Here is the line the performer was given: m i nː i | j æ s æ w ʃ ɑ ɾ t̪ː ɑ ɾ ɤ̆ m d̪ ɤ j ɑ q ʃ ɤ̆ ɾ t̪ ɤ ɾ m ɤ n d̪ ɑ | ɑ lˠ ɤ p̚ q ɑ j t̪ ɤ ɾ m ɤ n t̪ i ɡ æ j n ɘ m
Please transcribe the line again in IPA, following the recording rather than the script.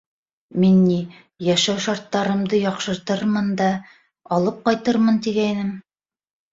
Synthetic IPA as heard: m i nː i | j æ ʃ æ w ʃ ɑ ɾ t̪ː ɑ ɾ ɤ̆ m d̪ ɤ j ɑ q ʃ ɤ̆ ɾ t̪ ɤ ɾ m ɤ n d̪ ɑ | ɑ lˠ ɤ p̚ q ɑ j t̪ ɤ ɾ m ɤ n t̪ i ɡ æ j n ɘ m